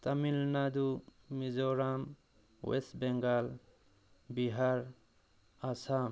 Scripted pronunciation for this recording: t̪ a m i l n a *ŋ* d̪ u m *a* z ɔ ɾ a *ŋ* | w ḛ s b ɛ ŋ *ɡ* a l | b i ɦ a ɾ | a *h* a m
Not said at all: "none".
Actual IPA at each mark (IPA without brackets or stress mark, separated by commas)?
none, i, m, ɡ, s